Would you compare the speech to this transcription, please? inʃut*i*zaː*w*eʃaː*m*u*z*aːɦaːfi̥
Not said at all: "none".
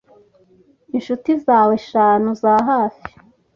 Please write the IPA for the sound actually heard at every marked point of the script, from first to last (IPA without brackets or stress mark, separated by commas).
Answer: i, w, n, z